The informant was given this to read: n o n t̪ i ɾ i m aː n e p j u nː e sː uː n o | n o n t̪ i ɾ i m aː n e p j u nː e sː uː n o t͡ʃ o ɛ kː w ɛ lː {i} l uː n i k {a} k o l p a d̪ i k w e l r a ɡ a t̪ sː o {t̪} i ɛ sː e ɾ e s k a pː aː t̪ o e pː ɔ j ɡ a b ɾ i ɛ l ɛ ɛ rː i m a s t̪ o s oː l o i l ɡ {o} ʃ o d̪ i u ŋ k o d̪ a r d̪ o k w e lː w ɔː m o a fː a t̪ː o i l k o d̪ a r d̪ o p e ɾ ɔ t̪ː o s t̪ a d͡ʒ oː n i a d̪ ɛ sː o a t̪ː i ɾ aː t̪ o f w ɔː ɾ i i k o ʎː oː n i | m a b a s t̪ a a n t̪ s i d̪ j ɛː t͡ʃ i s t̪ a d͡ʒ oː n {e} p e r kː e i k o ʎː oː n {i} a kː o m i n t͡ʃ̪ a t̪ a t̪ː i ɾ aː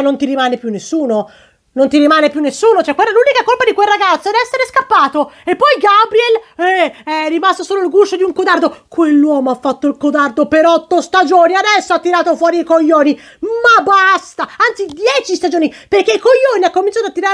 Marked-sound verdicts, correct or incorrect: incorrect, correct, incorrect, incorrect, incorrect, correct

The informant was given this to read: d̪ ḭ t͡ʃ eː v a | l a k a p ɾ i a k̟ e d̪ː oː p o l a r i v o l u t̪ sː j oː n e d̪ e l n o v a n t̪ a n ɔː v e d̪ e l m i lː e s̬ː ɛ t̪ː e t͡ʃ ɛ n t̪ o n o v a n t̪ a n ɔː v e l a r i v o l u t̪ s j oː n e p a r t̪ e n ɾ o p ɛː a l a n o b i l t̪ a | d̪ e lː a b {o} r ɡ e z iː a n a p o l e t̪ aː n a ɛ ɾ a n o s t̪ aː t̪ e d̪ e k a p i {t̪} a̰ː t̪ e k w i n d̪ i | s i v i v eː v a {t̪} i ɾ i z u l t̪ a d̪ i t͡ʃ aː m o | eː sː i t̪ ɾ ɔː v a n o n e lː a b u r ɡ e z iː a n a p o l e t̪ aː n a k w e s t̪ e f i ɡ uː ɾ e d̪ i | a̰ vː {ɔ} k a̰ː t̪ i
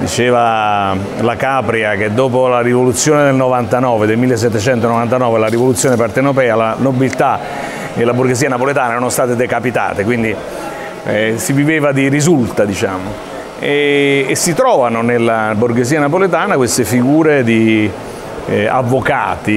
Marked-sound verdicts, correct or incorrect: incorrect, correct, incorrect, incorrect

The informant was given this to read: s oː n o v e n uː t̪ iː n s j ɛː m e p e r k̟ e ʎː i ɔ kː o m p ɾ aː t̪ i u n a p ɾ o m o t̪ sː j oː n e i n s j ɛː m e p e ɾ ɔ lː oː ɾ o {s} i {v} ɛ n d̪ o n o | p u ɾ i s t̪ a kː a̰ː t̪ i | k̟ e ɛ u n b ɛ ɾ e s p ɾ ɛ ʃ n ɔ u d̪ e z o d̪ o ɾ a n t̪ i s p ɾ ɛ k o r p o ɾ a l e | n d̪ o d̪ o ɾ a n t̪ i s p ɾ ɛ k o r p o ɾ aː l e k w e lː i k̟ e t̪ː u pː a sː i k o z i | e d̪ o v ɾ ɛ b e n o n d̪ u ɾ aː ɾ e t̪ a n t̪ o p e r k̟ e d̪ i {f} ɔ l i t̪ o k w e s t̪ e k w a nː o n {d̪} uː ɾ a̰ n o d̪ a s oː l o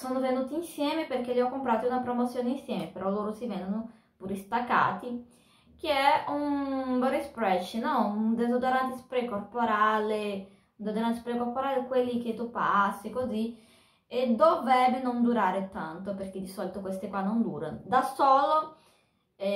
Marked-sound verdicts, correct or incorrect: correct, correct, incorrect, correct

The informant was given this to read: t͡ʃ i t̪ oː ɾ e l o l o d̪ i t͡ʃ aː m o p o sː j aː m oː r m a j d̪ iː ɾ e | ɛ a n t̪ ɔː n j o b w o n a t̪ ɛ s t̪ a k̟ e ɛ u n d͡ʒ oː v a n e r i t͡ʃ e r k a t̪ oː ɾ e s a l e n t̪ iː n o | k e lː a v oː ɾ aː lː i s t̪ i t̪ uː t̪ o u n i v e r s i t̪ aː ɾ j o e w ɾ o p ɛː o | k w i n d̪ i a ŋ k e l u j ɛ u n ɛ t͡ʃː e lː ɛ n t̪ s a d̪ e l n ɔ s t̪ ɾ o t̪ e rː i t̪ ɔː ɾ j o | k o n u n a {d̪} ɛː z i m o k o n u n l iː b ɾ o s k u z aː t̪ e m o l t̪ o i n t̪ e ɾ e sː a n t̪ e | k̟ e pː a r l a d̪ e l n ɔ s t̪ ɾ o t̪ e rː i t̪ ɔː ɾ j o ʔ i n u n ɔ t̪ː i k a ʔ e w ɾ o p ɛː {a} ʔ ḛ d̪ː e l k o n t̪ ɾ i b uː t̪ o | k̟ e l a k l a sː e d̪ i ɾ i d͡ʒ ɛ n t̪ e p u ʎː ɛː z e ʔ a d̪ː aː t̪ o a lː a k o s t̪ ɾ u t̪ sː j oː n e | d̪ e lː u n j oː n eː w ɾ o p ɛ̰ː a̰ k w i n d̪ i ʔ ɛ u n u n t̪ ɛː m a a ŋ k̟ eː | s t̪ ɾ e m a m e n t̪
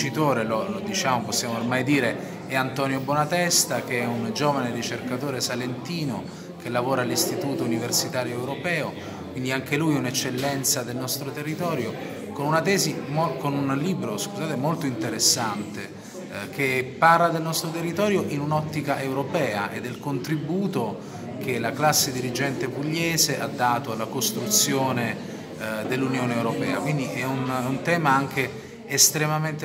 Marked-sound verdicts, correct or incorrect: incorrect, correct

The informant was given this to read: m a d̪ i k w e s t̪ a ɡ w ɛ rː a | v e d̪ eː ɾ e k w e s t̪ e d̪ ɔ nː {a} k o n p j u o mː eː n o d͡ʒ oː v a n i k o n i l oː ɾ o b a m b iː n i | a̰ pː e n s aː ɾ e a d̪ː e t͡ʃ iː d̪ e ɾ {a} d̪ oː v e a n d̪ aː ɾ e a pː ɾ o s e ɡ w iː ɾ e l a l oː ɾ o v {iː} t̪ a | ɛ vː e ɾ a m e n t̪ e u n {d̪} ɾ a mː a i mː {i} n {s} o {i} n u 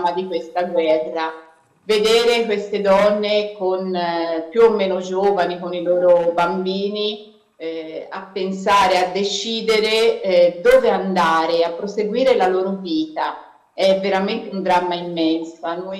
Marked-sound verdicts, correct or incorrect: incorrect, incorrect, correct, correct, incorrect, correct, incorrect

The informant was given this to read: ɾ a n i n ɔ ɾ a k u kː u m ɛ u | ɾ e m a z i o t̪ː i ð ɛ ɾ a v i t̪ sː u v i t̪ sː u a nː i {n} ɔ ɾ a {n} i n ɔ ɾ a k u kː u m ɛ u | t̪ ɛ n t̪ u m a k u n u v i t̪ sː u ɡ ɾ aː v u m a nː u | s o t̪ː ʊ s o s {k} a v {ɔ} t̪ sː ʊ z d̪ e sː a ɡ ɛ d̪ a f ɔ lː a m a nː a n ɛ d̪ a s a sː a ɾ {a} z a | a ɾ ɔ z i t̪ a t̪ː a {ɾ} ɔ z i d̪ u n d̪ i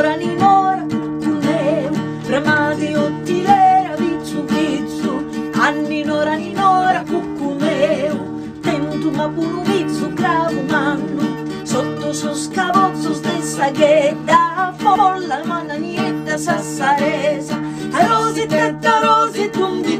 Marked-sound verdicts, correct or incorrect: correct, correct, correct, correct, incorrect, correct

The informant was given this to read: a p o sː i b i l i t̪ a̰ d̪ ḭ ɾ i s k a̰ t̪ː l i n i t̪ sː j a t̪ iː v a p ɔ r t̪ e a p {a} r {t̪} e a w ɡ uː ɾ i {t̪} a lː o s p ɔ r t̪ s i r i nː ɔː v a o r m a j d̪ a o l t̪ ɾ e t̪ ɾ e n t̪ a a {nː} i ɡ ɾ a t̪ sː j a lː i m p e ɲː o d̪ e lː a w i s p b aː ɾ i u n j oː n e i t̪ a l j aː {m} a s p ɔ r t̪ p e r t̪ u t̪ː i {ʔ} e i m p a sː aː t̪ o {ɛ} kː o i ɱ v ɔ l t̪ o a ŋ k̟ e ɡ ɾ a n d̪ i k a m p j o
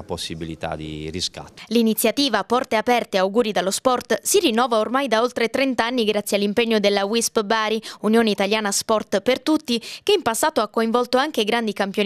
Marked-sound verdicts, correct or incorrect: incorrect, correct, incorrect, correct, incorrect, incorrect, incorrect

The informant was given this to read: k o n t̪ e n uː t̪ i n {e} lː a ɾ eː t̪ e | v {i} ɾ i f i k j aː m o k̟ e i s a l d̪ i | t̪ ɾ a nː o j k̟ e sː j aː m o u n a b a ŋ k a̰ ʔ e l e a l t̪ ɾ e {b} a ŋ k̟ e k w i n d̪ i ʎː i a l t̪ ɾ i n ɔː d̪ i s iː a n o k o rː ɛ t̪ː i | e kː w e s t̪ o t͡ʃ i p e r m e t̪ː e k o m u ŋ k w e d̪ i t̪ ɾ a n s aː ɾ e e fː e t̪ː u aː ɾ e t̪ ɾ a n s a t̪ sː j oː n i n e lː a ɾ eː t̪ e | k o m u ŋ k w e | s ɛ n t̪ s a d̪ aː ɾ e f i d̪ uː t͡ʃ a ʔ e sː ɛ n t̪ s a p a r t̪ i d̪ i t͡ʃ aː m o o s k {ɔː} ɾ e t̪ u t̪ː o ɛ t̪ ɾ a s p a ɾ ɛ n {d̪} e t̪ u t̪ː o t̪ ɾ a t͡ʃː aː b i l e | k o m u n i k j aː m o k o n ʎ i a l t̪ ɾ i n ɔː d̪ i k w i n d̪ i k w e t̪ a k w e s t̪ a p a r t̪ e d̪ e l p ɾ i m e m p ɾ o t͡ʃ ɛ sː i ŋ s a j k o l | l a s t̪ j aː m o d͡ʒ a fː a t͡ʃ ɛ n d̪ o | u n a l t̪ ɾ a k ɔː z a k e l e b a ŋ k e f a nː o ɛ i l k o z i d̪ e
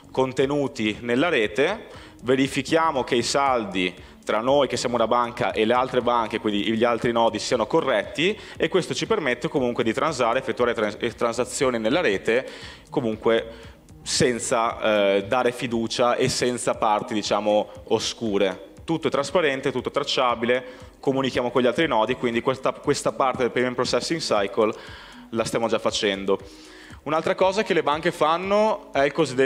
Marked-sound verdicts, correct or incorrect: correct, incorrect, correct, incorrect, incorrect

